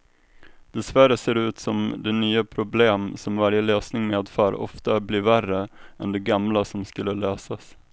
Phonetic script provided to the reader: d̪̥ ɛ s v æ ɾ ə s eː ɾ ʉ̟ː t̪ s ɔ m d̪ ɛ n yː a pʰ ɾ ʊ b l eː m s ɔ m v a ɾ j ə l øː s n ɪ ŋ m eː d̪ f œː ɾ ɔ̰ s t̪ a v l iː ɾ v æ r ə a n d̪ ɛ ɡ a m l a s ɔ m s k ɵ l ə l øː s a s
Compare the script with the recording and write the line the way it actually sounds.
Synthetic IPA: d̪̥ ɛ s v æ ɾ ə s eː ɾ ʉ̟ː t̪ s ɔ m d̪ ɛ n yː a pʰ ɾ ʊ b l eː m s ɔ m v a ɾ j ə l øː s n ɪ ŋ m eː d̪ f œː ɾ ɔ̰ f t̪ a b l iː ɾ v æ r ə ɛ n d̪ ɛ ɡ a m l a s ɔ m s k ɵ lː ə l øː s a s